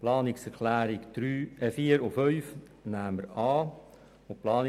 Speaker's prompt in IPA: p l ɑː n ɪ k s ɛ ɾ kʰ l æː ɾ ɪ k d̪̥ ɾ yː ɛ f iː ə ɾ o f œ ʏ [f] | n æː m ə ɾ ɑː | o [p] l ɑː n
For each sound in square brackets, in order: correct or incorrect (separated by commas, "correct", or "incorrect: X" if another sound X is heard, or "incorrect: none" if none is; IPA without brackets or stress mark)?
correct, correct